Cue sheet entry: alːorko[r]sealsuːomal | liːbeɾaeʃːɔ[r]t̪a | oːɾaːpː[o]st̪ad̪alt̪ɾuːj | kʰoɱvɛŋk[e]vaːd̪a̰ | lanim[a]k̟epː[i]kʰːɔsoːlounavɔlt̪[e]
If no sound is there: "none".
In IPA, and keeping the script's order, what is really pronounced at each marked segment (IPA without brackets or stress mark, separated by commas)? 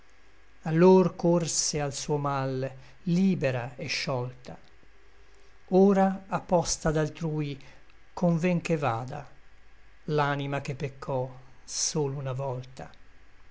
r, l, ɔ, e, a, e, a